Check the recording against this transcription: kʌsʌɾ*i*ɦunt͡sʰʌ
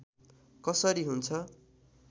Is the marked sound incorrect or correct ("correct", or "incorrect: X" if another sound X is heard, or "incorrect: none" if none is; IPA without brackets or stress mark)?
correct